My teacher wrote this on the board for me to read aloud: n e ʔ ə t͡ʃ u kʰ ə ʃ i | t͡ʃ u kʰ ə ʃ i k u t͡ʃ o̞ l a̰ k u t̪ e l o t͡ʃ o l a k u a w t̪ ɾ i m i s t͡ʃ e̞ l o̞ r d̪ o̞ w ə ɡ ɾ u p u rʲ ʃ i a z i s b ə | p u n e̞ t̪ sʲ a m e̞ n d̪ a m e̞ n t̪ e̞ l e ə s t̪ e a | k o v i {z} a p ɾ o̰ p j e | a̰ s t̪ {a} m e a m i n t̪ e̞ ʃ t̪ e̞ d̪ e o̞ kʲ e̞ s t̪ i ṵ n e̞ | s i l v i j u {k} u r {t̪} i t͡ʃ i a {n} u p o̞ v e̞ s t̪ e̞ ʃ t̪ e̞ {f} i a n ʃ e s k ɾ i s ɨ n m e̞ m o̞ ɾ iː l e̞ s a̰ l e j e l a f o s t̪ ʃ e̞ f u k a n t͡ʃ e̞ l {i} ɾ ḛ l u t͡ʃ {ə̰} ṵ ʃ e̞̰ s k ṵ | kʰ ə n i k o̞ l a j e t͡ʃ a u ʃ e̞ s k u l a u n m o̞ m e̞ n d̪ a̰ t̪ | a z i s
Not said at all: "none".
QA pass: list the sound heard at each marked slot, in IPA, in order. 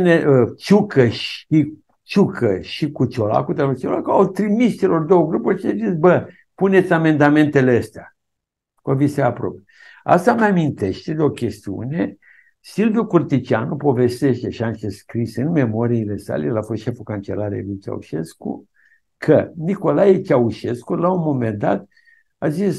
s, a, k, t̪, n, ʃ, a, a̰

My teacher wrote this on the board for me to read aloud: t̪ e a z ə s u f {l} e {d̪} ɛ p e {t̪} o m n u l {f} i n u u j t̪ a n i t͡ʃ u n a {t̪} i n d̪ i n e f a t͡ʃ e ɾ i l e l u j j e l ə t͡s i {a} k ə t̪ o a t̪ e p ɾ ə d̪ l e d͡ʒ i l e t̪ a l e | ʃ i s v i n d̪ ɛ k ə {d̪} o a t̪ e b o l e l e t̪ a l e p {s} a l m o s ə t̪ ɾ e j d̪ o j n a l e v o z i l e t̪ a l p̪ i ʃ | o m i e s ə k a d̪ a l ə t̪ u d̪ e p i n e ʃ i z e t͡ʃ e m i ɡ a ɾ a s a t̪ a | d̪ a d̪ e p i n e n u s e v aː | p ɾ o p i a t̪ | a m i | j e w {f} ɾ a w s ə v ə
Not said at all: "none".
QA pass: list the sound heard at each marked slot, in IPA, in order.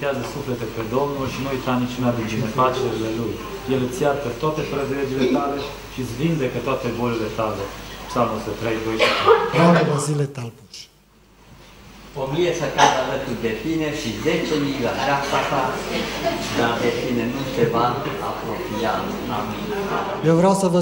l, t̪, d̪, ʃ, d̪, a, t̪, s, v

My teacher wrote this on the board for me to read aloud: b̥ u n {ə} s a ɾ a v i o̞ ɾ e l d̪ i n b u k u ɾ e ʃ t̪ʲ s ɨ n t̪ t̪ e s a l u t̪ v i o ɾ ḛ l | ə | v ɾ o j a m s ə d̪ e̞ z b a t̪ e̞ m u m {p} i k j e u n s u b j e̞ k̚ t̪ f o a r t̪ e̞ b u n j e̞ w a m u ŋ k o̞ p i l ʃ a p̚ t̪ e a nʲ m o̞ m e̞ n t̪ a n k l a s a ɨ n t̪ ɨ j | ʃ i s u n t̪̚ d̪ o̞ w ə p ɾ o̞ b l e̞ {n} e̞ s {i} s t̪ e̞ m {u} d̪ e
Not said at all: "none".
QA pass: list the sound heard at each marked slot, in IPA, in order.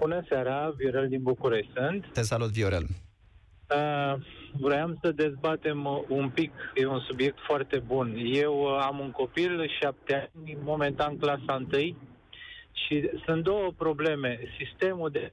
ə, p, m, i, u

